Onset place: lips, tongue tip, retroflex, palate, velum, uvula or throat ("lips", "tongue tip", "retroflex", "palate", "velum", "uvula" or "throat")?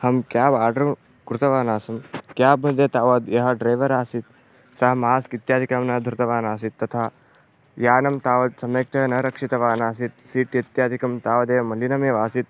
throat